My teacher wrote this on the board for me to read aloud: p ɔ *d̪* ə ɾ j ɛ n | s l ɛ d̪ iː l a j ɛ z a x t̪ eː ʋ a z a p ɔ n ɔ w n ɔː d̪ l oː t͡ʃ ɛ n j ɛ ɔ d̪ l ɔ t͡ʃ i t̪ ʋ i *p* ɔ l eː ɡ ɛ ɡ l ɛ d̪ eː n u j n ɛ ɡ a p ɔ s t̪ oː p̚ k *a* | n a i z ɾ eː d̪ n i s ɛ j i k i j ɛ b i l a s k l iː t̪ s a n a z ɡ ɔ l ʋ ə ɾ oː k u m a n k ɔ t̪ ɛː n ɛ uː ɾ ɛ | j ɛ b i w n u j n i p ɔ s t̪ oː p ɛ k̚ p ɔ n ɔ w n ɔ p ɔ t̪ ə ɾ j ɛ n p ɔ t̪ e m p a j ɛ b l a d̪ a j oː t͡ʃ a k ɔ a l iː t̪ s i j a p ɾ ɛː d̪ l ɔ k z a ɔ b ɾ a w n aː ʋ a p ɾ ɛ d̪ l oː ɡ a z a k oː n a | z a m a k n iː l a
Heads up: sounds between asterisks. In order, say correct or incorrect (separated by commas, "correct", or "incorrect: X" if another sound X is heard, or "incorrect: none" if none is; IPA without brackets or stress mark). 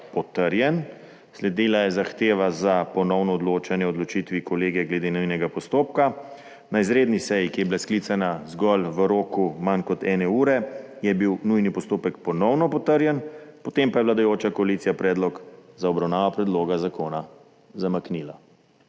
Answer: incorrect: t̪, incorrect: k, correct